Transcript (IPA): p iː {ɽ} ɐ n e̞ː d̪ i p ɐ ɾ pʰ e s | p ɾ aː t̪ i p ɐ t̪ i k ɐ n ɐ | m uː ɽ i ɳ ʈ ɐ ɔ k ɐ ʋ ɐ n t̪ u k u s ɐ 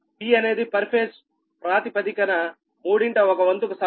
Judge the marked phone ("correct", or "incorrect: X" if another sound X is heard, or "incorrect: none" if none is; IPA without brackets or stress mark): incorrect: none